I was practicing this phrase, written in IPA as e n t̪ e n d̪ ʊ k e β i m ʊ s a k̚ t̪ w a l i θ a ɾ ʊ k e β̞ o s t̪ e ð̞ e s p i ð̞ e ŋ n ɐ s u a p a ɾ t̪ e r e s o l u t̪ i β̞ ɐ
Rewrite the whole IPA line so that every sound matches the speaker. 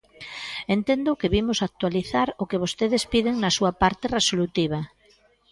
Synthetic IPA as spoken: e n t̪ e n d̪ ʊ k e β i m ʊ s a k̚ t̪ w a l i θ a ɾ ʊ k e β̞ o s t̪ e ð̞ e s p i ð̞ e ŋ n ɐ s u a p a ɾ t̪ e r e s o l u t̪ i β̞ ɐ